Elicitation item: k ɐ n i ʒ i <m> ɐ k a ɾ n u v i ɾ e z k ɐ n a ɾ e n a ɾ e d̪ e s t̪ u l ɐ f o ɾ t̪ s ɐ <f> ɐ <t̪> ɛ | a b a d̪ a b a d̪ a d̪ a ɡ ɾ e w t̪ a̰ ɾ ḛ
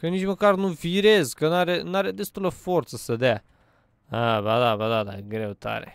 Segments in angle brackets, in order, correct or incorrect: correct, incorrect: s, incorrect: d̪

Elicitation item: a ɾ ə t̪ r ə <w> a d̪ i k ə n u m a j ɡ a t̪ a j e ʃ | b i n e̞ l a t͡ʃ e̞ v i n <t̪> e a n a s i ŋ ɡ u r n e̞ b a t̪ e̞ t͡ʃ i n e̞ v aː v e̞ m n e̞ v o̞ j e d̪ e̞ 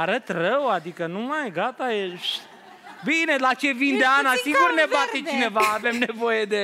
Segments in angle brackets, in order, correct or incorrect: correct, incorrect: d̪

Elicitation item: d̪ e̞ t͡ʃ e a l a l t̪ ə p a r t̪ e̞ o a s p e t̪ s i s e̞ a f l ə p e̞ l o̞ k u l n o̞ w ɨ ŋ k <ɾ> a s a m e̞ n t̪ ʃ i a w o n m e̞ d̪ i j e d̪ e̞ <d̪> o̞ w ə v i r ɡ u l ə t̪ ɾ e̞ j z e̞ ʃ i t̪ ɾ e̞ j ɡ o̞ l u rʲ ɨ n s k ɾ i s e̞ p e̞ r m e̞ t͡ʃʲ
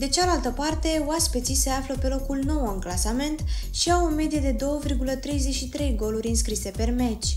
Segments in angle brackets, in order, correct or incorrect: incorrect: l, correct

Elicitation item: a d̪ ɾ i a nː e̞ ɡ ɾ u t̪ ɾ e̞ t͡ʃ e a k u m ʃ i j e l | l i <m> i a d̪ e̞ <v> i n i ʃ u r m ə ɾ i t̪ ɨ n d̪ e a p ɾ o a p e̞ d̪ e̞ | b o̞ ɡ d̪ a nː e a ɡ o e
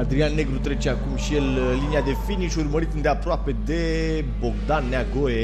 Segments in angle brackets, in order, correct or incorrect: incorrect: n, incorrect: f

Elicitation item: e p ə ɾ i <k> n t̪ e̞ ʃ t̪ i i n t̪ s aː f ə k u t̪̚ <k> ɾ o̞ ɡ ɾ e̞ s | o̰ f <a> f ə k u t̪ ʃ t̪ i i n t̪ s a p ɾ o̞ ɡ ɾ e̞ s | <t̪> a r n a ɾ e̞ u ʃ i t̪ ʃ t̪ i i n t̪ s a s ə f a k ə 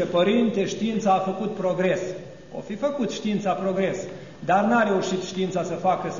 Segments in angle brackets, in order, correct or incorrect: incorrect: none, incorrect: p, incorrect: i, incorrect: d̪

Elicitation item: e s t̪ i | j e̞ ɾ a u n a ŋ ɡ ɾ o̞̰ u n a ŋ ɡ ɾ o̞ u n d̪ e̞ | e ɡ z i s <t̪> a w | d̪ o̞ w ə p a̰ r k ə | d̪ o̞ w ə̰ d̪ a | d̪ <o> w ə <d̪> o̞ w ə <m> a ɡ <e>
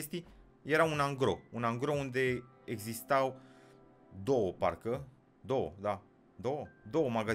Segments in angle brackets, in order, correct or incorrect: correct, correct, correct, correct, incorrect: a

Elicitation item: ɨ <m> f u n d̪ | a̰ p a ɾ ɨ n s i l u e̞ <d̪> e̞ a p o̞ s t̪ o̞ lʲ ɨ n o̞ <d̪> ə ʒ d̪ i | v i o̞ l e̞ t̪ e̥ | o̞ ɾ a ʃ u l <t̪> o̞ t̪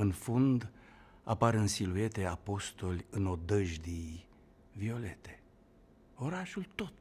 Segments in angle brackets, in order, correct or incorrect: incorrect: n, incorrect: t̪, correct, correct

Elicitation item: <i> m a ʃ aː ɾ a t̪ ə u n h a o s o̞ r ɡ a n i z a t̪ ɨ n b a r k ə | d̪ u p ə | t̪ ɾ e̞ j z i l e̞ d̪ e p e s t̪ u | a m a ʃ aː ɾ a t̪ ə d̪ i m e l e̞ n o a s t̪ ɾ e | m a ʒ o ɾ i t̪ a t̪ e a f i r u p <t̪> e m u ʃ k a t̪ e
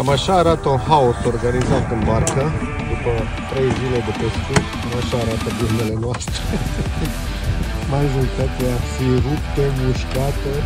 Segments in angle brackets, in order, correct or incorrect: incorrect: a, correct

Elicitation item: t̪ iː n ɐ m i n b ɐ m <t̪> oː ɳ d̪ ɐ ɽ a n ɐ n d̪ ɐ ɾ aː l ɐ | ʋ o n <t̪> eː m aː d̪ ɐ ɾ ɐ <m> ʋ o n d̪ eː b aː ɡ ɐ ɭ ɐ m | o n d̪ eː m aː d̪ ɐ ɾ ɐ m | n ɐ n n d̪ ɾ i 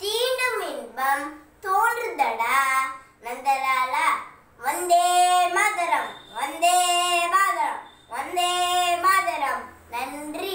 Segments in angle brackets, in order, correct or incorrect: correct, incorrect: d̪, correct

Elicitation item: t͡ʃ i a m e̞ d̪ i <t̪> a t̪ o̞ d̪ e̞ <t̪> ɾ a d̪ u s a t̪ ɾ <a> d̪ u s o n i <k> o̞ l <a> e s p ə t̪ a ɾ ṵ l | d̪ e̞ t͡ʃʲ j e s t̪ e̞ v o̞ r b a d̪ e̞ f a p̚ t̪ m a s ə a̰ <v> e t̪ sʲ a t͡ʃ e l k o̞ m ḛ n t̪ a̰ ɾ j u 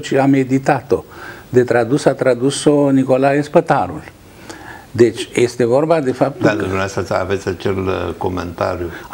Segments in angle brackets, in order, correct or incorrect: correct, correct, correct, correct, correct, correct

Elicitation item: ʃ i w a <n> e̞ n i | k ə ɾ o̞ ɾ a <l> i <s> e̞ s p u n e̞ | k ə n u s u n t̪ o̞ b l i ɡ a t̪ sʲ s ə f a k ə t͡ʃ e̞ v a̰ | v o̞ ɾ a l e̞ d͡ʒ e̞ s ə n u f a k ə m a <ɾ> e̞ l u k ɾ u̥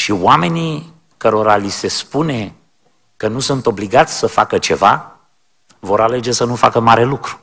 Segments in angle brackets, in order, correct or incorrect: incorrect: m, correct, correct, correct

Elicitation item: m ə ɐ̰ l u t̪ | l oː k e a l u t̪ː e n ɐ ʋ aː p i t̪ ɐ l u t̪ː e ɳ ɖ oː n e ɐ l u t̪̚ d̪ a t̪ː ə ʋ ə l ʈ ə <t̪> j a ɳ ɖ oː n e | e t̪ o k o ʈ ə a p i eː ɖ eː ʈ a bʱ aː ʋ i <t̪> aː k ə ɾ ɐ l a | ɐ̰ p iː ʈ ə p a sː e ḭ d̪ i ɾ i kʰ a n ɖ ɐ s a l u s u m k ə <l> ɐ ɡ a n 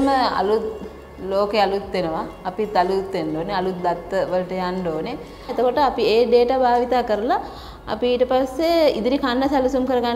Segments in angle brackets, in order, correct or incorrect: incorrect: none, correct, incorrect: ɾ

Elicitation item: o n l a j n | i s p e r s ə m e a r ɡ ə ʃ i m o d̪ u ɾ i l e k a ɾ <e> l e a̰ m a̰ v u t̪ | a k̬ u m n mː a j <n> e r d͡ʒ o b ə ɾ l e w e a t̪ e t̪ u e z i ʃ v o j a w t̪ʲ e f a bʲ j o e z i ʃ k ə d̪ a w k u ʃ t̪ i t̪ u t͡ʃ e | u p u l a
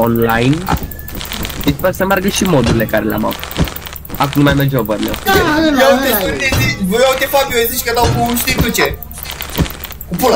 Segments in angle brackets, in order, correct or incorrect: correct, incorrect: m

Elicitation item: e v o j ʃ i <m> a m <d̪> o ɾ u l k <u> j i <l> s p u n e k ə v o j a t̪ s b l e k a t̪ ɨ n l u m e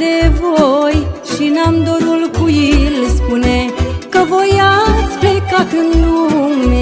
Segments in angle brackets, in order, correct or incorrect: incorrect: n, correct, correct, correct

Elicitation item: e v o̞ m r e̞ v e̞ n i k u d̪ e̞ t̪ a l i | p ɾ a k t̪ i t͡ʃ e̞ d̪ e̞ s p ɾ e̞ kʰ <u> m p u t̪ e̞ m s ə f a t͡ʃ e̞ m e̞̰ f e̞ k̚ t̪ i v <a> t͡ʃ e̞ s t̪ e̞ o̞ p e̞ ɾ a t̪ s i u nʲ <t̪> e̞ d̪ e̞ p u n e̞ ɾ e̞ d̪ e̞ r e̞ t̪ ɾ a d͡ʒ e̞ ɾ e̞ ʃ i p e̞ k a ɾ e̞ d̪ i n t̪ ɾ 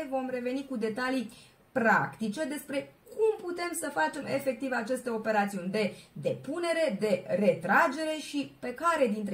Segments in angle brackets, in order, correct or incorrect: correct, correct, incorrect: d̪

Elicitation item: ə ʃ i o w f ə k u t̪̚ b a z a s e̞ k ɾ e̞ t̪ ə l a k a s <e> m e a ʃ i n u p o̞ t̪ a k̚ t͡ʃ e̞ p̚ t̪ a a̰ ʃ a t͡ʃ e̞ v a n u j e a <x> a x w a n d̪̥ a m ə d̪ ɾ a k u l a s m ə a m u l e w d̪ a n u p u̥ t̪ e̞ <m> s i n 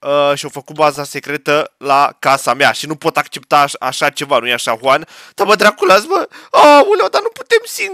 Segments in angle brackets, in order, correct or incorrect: incorrect: a, incorrect: ʃ, correct

